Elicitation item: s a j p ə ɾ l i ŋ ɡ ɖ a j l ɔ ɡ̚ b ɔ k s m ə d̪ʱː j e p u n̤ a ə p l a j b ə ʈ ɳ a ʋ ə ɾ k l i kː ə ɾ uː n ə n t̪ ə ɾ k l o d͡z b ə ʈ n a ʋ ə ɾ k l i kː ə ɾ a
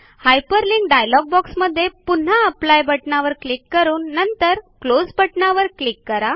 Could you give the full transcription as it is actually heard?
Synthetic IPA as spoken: h a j p ə ɾ l i ŋ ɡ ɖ a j l ɔ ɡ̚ b ɔ k s m ə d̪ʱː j e p u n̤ a ə p l a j b ə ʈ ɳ a ʋ ə ɾ k l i kː ə ɾ uː nː ə n t̪ ə ɾ k l o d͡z b ə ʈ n a ʋ ə ɾ k l i kː ə ɾ a